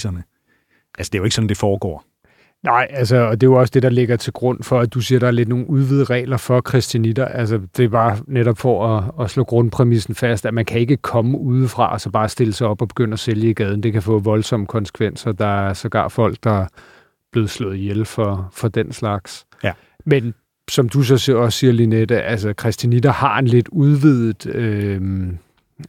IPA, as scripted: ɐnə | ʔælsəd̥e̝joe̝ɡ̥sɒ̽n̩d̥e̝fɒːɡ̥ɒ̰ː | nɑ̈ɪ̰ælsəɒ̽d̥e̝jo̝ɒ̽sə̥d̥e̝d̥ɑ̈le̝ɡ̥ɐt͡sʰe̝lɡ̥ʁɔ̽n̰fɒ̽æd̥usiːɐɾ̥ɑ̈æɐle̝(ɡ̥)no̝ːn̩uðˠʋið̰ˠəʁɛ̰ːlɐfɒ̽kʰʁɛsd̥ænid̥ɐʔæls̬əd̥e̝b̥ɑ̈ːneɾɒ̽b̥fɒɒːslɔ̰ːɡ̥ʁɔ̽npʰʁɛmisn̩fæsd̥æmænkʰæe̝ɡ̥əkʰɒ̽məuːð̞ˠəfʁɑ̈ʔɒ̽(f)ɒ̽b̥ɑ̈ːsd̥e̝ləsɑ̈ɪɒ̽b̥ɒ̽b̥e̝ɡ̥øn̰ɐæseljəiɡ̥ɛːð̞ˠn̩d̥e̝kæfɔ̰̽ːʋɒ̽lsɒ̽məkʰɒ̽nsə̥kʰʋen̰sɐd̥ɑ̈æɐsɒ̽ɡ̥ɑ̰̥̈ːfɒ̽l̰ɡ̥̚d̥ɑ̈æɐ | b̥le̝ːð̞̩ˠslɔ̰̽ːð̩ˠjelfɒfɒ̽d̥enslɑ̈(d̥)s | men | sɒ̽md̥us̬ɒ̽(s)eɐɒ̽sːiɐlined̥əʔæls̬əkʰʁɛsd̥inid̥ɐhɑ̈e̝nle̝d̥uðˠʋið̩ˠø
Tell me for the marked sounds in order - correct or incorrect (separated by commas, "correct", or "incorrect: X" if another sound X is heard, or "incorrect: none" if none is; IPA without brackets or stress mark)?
incorrect: d̥, incorrect: s, incorrect: ɡ̥, correct